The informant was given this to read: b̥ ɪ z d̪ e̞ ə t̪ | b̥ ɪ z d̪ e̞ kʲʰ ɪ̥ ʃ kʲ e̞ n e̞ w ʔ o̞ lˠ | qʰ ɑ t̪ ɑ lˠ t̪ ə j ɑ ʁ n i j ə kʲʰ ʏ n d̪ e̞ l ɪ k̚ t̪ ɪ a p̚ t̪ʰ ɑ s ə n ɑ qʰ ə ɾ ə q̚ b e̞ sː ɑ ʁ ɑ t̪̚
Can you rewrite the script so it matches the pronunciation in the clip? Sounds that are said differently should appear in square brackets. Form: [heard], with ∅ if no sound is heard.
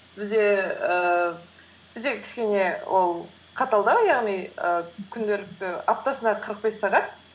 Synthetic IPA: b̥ ɪ z d̪ e̞ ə [∅] | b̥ ɪ z d̪ e̞ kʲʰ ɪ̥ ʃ kʲ e̞ n e̞ w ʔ o̞ lˠ | qʰ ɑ t̪ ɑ lˠ [d̪] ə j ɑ ʁ n i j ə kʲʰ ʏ n d̪ e̞ l ɪ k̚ t̪ ɪ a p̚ [t̪] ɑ s ə n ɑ qʰ ə ɾ ə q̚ b e̞ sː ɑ ʁ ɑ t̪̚

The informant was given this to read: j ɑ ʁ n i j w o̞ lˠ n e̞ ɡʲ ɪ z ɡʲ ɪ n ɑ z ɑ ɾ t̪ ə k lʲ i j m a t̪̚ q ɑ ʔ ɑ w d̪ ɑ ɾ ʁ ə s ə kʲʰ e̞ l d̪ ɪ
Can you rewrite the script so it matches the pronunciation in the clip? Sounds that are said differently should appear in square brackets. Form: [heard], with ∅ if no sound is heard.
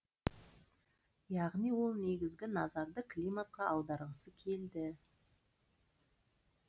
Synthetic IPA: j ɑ ʁ n i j w o̞ lˠ n e̞ ɡʲ ɪ z ɡʲ ɪ n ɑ z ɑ ɾ [d̪] ə k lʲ i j m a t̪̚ q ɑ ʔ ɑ w d̪ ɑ ɾ ʁ ə s ə kʲʰ e̞ l d̪ ɪ

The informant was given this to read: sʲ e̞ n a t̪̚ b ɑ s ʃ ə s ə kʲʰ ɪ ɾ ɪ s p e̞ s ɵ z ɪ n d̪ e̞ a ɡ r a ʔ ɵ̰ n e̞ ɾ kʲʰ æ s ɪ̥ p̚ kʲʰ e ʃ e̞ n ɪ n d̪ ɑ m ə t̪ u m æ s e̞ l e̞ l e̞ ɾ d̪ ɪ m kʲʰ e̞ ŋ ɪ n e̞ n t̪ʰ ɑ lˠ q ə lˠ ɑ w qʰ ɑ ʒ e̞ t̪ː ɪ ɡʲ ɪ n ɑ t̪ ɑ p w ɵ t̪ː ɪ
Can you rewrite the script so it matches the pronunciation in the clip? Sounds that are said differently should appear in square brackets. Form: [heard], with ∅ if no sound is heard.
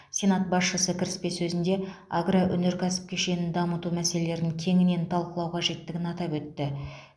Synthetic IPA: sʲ e̞ n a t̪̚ b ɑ s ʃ ə s ə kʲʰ ɪ ɾ ɪ s p e̞ s ɵ z ɪ n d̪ e̞ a ɡ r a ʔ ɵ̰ n e̞ ɾ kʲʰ æ s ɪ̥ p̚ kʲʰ e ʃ e̞ n ɪ n d̪ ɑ m ə t̪ u m æ s e̞ l e̞ l e̞ ɾ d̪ ɪ [ŋ] kʲʰ e̞ ŋ ɪ n e̞ n t̪ʰ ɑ lˠ q ə lˠ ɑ w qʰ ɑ ʒ e̞ t̪ː ɪ ɡʲ ɪ n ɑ t̪ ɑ p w ɵ t̪ː ɪ

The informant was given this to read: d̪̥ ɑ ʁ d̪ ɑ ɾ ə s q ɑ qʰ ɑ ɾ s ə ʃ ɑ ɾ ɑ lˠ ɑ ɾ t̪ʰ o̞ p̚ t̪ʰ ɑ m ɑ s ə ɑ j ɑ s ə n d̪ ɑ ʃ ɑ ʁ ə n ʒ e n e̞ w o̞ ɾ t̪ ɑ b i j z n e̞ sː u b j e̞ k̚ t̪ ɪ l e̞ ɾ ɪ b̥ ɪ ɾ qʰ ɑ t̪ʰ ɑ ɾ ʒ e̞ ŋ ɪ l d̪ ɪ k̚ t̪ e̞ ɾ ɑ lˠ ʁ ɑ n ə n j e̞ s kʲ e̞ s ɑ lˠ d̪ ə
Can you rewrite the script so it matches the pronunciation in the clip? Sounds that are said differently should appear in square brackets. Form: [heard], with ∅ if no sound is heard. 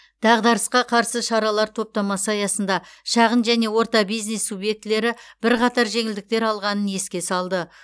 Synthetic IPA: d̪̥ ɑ ʁ d̪ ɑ ɾ ə s q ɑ qʰ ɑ ɾ s ə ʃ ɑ ɾ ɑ lˠ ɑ ɾ t̪ʰ o̞ p̚ [t̪] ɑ m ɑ s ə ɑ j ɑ s ə n d̪ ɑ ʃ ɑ ʁ ə n ʒ [æ] n e̞ w o̞ ɾ t̪ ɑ b i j z n e̞ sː u b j e̞ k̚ t̪ ɪ l e̞ ɾ ɪ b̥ ɪ ɾ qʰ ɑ [t̪] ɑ ɾ ʒ e̞ ŋ ɪ l d̪ ɪ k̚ t̪ e̞ ɾ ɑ lˠ ʁ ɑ n ə n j e̞ s kʲ e̞ s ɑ lˠ d̪ ə

